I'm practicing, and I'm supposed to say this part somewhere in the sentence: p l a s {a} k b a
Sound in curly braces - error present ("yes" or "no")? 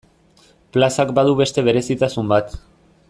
no